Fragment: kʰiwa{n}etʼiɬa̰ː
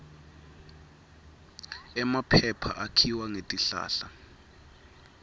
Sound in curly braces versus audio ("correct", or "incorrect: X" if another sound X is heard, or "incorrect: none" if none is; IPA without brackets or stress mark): incorrect: ŋ